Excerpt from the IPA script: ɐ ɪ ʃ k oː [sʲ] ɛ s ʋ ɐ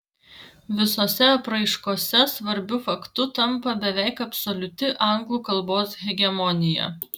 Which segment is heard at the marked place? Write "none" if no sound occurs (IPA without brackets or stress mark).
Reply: sʲ